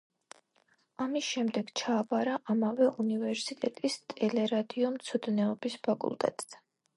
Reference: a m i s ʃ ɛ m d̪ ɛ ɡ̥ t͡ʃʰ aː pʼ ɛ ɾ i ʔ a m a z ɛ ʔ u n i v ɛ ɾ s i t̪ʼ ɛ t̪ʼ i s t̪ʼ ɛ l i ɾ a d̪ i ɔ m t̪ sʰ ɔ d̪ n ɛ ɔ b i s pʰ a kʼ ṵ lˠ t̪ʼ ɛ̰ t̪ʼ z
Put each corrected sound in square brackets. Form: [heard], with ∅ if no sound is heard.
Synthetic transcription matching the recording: a m i s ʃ ɛ m d̪ ɛ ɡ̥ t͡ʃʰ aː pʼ [a] ɾ [a] ʔ a m a [v] ɛ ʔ u n i v ɛ ɾ s i t̪ʼ ɛ t̪ʼ i s t̪ʼ ɛ l [ɛ] ɾ a d̪ i ɔ m t̪ sʰ ɔ d̪ n ɛ ɔ b i s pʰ a kʼ ṵ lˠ t̪ʼ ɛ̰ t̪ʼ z